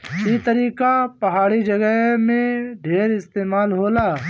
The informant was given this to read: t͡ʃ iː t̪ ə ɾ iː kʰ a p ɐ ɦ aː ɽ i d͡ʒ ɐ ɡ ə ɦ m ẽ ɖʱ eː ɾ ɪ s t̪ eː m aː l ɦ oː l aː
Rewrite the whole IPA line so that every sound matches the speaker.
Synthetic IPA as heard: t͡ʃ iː t̪ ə ɾ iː k a p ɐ ɦ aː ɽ i d͡ʒ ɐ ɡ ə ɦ m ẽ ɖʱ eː ɾ ɪ s t̪ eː m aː l ɦ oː l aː